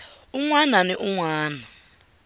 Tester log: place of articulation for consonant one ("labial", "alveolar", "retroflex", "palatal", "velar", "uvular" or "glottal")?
velar